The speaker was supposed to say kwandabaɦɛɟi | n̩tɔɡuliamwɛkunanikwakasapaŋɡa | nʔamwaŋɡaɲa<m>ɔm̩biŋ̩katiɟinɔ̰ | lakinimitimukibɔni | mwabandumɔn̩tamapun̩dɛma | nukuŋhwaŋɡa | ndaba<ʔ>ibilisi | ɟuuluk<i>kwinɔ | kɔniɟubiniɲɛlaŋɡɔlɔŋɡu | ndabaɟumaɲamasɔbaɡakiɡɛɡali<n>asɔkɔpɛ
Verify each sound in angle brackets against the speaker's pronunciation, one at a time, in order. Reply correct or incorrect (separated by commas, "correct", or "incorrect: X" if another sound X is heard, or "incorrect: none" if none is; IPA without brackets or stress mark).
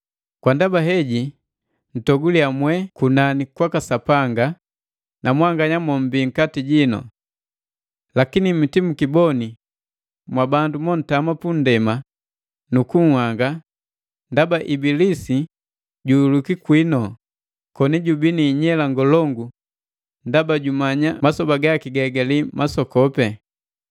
correct, correct, correct, incorrect: m